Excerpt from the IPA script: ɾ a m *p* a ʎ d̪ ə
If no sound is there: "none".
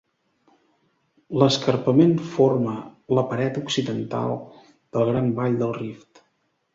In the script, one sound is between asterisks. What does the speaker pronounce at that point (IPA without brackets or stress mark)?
b